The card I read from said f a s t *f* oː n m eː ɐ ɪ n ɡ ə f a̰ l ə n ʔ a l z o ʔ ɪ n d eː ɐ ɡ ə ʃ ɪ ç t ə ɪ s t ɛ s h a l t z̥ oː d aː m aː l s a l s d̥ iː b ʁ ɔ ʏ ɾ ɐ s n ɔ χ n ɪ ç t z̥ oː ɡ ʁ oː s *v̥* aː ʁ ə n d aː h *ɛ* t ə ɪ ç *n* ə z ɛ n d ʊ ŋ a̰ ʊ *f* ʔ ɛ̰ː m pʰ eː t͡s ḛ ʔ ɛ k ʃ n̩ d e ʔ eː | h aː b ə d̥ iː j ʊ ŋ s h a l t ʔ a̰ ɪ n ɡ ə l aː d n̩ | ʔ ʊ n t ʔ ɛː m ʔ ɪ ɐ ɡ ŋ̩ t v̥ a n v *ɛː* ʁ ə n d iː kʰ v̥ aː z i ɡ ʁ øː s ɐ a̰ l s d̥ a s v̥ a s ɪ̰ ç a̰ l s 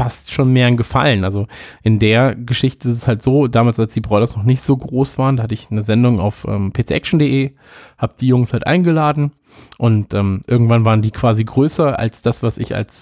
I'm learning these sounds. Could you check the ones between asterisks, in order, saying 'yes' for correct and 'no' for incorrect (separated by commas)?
no, yes, no, yes, yes, no